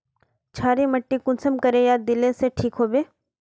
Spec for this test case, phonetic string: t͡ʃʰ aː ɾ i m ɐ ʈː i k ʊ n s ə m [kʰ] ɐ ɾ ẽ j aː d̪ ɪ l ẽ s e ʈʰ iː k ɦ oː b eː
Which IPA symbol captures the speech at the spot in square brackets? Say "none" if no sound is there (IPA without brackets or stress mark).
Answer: k